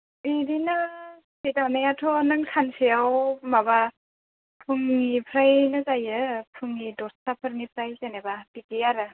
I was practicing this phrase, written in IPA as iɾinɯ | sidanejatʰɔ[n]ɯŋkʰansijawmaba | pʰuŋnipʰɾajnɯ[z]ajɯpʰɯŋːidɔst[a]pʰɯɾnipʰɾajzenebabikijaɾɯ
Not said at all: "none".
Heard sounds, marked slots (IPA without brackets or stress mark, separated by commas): n, z, a